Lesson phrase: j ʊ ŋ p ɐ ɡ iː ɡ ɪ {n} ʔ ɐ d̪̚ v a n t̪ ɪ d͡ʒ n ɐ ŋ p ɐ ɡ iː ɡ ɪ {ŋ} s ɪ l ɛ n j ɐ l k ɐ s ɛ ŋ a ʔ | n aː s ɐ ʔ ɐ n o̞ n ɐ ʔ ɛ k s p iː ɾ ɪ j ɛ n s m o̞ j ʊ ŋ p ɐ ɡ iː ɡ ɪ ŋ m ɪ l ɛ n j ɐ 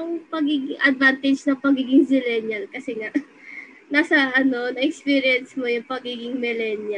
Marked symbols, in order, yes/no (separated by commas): no, yes